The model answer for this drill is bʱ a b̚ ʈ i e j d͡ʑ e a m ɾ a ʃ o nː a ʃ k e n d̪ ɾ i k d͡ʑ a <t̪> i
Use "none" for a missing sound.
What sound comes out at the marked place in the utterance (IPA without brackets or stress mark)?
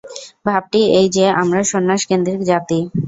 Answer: t̪